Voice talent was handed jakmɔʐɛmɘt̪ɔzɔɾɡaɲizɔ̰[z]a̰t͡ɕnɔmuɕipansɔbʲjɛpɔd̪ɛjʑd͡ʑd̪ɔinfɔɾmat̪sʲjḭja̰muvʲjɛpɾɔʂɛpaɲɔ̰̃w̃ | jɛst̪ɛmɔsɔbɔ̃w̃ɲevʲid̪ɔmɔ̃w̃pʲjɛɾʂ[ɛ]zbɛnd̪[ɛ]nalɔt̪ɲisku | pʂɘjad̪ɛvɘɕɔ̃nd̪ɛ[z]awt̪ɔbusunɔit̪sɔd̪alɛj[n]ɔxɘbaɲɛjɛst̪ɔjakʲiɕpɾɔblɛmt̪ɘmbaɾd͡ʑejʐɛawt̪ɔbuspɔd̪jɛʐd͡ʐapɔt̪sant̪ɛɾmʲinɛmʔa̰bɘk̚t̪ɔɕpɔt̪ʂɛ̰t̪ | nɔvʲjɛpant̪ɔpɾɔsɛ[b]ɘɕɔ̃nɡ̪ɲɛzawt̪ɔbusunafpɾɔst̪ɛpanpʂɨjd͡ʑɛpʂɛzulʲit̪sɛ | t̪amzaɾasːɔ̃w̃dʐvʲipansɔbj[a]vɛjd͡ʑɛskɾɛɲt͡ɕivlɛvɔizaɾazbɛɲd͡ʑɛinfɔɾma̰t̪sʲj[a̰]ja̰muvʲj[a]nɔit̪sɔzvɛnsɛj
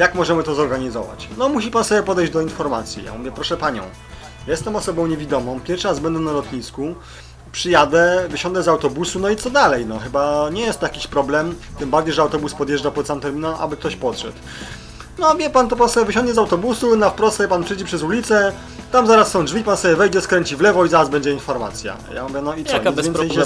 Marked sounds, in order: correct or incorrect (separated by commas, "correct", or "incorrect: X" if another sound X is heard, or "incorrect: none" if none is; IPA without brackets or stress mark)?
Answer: incorrect: v, incorrect: a, correct, correct, correct, incorrect: v, incorrect: ɛ, correct, incorrect: ɛ